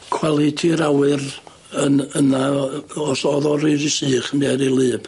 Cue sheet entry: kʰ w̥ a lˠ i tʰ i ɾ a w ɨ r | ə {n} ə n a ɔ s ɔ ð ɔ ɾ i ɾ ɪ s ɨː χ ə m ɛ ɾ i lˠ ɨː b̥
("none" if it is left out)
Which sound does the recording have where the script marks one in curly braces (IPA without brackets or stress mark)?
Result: n